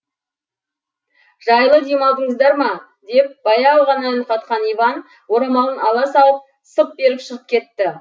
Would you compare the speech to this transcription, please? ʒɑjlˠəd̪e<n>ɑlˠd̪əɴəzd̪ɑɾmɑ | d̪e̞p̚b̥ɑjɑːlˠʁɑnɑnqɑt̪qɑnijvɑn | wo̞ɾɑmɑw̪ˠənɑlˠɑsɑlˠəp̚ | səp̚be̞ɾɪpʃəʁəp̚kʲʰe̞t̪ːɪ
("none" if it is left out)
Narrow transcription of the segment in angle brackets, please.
m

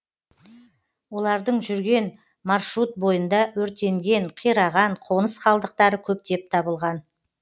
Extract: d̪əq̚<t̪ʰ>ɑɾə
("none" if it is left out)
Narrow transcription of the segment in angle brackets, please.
t̪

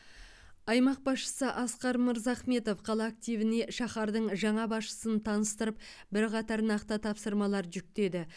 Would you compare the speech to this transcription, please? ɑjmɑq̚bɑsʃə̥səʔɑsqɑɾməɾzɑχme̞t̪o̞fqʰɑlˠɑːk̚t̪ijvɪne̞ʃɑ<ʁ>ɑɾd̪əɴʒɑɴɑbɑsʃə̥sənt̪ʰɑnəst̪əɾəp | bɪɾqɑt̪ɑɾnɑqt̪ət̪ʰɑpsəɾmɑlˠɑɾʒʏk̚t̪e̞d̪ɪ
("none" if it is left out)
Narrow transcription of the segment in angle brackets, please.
χ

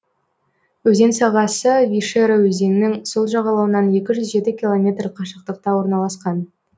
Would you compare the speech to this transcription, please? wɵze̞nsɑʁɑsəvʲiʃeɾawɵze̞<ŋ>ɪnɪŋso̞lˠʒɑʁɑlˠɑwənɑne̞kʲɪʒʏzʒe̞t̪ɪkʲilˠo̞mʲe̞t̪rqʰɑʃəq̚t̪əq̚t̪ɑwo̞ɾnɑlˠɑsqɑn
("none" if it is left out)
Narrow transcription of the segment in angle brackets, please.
n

